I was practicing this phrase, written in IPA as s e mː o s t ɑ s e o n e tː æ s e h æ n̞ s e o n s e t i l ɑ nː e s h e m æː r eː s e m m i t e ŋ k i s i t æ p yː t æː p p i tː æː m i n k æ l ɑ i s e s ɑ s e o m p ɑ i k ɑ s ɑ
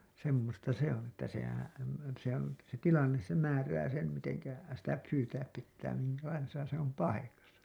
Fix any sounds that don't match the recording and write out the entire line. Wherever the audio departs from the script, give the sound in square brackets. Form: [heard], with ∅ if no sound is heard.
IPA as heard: s e mː o s t ɑ s e o n e tː æ s e h æ n̞ s e o n s e t i l ɑ nː e s [s] e m æː r [æː] s e m m i t e ŋ k [æ] s i t æ p yː t æː p p i tː æː m i [ŋ] k æ l ɑ i s e s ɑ s e o m p ɑ i k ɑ s ɑ